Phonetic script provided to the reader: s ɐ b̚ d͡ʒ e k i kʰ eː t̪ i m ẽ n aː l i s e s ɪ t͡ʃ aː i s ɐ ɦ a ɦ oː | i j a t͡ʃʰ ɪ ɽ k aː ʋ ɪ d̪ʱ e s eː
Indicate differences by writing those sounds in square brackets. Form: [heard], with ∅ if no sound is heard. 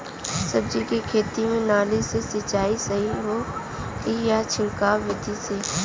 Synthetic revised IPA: s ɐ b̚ d͡ʒ [i] k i kʰ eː t̪ i m ẽ n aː l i s e s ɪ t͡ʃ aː i s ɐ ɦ [i] ɦ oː | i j a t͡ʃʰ ɪ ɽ k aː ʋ ɪ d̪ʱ [i] s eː